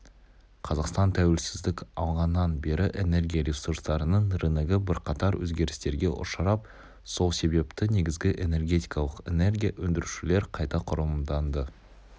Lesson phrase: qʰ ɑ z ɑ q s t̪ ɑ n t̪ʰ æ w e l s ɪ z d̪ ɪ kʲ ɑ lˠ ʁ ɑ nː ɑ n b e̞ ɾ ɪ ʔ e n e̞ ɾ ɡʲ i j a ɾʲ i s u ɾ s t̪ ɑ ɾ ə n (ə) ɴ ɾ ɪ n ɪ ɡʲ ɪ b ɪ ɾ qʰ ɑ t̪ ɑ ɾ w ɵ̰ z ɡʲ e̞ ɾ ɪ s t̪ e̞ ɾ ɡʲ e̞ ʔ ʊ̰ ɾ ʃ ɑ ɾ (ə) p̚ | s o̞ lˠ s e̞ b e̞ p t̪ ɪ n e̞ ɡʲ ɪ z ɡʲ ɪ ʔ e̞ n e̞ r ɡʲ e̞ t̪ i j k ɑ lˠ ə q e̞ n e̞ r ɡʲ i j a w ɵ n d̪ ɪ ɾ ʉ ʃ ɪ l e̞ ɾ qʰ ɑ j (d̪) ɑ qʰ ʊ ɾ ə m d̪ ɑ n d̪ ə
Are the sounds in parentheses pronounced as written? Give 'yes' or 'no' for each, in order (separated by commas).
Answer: yes, no, no